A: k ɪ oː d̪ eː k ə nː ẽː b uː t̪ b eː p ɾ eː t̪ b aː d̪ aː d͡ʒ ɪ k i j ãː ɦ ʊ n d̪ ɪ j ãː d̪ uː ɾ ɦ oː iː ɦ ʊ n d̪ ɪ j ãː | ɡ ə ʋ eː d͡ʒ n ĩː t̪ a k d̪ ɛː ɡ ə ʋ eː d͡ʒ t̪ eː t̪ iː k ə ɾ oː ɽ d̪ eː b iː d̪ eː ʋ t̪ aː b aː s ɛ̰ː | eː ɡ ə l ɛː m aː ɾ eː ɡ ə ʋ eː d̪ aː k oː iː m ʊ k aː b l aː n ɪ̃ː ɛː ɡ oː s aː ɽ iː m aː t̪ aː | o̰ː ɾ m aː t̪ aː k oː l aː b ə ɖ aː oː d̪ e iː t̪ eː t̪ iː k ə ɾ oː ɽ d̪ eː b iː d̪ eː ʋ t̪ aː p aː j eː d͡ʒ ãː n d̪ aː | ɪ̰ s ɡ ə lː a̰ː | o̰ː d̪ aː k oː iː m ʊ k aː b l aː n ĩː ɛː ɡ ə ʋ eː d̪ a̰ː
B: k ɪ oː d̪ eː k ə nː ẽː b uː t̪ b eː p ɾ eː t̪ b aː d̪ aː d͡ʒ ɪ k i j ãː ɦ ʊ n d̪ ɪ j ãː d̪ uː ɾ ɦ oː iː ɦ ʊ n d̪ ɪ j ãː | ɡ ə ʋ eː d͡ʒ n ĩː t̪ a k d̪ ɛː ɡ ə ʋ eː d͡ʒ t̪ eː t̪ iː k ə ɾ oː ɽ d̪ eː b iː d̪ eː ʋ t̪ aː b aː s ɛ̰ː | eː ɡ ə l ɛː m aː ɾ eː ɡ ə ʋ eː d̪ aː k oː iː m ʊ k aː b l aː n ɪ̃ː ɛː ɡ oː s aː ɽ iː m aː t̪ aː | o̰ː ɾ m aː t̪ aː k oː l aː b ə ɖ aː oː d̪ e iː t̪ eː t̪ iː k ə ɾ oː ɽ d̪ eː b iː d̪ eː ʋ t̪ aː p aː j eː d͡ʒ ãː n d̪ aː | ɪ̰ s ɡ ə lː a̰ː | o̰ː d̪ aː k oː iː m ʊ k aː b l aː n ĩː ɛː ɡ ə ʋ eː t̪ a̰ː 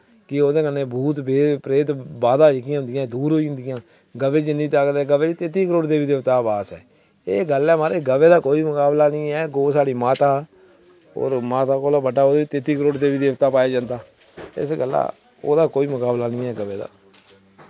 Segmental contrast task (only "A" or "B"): A